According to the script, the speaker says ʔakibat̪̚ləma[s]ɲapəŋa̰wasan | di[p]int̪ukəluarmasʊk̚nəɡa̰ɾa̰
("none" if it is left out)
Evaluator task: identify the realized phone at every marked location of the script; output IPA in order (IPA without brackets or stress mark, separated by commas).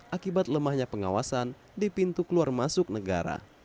h, p